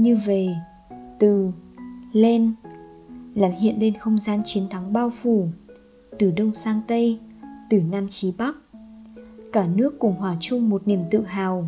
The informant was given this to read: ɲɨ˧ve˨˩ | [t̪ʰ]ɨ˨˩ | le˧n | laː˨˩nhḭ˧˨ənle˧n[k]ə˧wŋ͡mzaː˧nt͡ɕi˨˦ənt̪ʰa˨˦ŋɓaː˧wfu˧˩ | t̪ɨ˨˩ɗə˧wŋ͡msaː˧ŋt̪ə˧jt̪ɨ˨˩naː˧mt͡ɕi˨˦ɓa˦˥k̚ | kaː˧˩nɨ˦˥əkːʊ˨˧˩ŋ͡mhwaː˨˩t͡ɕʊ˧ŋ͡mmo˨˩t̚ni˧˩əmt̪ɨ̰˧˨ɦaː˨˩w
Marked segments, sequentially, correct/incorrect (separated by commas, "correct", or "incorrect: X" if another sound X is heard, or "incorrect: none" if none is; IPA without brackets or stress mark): incorrect: t̪, incorrect: x